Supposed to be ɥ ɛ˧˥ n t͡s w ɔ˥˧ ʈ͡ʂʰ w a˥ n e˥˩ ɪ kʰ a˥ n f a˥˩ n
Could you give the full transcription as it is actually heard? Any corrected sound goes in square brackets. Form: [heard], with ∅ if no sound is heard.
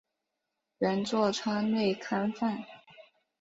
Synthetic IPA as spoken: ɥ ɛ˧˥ n t͡s w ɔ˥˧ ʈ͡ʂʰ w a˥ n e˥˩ ɪ kʰ a˥ n f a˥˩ n